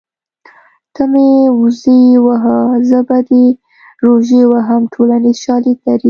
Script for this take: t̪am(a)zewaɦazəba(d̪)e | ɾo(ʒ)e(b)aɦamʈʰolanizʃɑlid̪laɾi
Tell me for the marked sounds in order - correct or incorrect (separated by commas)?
incorrect, correct, correct, incorrect